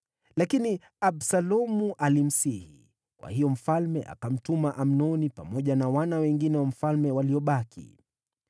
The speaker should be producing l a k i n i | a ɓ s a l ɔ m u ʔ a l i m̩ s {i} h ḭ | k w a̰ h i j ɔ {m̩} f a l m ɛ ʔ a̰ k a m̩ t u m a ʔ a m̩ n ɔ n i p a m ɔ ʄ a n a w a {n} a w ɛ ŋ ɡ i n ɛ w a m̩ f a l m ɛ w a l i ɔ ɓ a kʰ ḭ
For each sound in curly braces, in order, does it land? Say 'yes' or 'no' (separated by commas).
yes, yes, yes